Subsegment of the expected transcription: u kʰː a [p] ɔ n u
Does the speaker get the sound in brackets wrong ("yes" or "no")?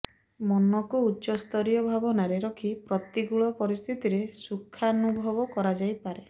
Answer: yes